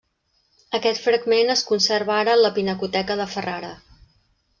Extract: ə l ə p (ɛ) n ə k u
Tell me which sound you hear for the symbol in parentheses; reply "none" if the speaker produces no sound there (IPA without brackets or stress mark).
i